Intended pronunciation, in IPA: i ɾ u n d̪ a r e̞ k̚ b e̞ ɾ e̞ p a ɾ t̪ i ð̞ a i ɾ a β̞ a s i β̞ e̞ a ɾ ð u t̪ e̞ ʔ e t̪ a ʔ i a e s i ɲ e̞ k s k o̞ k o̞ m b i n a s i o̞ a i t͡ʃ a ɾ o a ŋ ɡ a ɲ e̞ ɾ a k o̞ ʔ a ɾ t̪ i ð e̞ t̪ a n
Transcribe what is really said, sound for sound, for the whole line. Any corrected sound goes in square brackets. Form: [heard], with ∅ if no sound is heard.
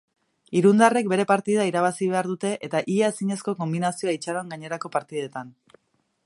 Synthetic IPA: i ɾ u n d̪ a r e̞ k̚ b e̞ ɾ e̞ p a ɾ t̪ i ð̞ a i ɾ a β̞ a s i β̞ e̞ a ɾ ð u t̪ e̞ ʔ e t̪ a ʔ i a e s i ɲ e̞ [∅] s k o̞ k o̞ m b i n a s i o̞ a i t͡ʃ a ɾ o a ŋ ɡ a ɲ e̞ ɾ a k o̞ [p] a ɾ t̪ i ð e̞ t̪ a n